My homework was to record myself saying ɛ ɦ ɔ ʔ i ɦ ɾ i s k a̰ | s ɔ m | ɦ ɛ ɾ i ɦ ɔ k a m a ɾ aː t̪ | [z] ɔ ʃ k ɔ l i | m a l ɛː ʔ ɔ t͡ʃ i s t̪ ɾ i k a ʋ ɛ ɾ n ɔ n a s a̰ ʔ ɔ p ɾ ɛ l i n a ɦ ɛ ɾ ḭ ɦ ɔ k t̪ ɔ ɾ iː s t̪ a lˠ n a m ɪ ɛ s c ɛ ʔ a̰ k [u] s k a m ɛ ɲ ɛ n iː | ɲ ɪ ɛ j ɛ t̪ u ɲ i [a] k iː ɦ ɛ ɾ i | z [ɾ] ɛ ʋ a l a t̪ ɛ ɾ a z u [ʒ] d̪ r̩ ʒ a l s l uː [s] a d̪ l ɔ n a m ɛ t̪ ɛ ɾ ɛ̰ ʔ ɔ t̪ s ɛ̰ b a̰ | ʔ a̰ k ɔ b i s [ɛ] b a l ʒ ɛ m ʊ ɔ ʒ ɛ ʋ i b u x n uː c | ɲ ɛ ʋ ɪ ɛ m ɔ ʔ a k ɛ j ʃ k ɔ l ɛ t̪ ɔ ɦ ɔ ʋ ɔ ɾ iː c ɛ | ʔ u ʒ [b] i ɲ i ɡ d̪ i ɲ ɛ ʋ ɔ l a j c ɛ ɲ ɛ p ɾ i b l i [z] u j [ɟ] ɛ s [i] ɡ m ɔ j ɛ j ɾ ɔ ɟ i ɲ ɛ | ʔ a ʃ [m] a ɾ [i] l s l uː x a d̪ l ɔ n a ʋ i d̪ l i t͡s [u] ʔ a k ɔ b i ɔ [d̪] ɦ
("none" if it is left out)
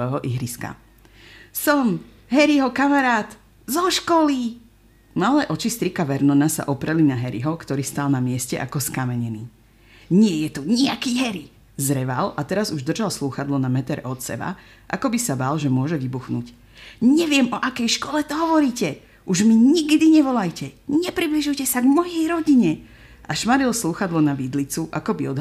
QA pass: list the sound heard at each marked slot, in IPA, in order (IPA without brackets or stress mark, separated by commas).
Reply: z, ɔ, a, ɾ, ʒ, x, a, m, ʒ, c, a, m, i, u, d̪